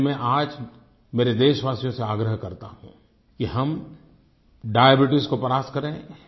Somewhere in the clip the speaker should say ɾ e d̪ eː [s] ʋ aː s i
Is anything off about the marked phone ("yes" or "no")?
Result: yes